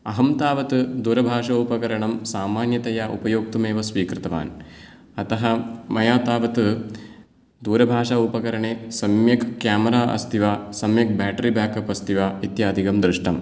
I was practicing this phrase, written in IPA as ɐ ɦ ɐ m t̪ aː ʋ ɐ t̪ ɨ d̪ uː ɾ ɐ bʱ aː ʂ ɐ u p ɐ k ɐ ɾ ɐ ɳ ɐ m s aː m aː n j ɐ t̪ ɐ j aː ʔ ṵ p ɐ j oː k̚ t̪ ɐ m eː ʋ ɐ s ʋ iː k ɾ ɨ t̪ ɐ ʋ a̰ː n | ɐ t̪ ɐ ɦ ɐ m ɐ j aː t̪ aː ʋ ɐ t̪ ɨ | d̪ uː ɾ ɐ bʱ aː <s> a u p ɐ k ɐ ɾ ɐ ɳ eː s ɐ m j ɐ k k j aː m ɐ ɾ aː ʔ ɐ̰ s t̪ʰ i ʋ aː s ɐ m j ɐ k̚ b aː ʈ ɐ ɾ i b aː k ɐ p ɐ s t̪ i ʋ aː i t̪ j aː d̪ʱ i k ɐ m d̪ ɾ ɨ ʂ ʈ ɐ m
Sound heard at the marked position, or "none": ʂ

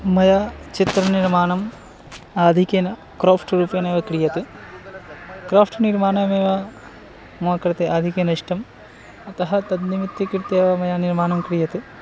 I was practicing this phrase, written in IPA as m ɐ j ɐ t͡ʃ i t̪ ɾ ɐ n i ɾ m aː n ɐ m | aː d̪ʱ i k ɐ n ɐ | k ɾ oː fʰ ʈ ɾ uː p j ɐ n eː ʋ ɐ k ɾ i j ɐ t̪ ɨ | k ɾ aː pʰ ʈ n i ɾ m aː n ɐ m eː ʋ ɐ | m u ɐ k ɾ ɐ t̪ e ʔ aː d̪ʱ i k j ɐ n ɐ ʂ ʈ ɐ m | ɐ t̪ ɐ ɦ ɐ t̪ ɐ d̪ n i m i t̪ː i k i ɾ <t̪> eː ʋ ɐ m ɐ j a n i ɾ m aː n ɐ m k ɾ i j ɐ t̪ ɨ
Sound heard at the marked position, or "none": t̪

